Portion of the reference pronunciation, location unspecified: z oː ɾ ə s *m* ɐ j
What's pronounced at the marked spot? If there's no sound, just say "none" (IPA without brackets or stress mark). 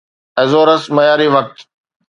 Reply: m